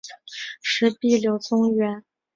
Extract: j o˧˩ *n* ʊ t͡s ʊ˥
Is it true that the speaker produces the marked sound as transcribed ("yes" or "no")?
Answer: no